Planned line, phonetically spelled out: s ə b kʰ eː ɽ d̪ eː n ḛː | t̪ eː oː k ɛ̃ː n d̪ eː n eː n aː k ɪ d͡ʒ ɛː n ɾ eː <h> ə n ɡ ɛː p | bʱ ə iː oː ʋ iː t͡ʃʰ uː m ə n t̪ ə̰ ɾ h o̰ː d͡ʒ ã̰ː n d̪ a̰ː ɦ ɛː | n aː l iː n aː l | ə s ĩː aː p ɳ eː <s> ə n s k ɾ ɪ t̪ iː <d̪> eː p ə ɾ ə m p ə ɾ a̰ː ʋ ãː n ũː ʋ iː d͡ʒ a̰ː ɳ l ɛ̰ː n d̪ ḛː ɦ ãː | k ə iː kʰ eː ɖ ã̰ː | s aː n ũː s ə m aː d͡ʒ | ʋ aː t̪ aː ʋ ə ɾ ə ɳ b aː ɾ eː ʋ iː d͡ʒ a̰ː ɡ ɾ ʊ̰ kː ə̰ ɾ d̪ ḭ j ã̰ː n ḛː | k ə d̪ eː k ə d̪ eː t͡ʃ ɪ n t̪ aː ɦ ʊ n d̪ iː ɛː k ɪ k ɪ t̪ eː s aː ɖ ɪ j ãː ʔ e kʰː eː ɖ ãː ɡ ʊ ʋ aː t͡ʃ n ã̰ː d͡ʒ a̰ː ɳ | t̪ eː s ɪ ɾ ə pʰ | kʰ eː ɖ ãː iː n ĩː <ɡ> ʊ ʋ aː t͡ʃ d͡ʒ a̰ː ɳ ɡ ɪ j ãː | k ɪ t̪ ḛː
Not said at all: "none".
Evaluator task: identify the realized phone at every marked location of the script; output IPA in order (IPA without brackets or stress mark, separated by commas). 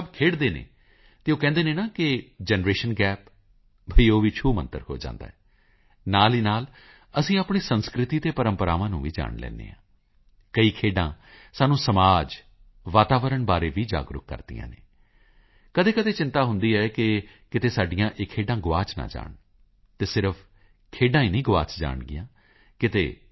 ʃ, s, t̪, ɡ